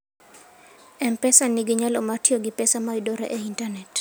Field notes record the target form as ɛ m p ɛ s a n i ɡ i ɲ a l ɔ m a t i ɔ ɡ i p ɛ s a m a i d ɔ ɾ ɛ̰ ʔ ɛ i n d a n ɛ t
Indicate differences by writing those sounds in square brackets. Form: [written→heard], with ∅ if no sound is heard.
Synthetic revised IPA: ɛ m p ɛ s a n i ɡ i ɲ a l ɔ m a t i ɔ ɡ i p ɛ s a m a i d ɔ ɾ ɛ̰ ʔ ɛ i n [d→t] a n ɛ t